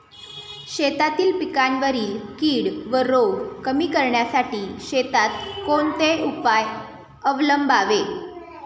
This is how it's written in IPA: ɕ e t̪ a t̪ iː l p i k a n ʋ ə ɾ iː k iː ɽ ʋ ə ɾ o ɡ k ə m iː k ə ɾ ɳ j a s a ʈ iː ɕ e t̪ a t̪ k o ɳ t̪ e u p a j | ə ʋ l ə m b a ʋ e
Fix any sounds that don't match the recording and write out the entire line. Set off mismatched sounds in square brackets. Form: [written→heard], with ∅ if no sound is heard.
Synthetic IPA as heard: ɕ e t̪ a t̪ iː l p i k a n ʋ ə ɾ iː k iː ɽ ʋ ə ɾ o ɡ k ə m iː k ə ɾ ɳ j a s a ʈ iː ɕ e t̪ a t̪ k o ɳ t̪ e u p a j | ə ʋ l ə m b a ʋ e